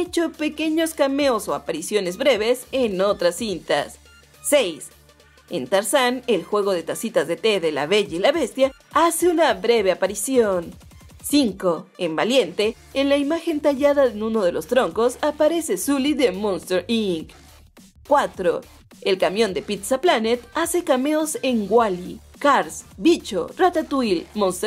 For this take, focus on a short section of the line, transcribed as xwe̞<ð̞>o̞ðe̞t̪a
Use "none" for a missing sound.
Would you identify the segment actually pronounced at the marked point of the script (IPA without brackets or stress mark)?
ɣ̞